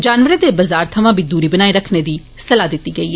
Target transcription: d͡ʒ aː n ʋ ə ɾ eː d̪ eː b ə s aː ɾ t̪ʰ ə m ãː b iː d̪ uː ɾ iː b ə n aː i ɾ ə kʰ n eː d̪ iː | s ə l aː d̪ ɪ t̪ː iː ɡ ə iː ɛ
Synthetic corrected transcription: d͡ʒ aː n ʋ ə ɾ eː d̪ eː b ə z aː ɾ t̪ʰ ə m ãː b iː d̪ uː ɾ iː b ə n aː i ɾ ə kʰ n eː d̪ iː | s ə l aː d̪ ɪ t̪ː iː ɡ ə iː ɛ